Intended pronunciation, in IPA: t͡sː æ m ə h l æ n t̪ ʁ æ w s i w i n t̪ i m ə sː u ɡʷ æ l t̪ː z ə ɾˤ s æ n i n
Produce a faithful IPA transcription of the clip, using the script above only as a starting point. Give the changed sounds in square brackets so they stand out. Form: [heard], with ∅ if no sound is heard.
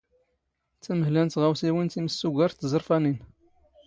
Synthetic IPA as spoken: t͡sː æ m ə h l æ n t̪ ʁ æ w s i w i n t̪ i m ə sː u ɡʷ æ [ɾ] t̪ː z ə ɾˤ [f] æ n i n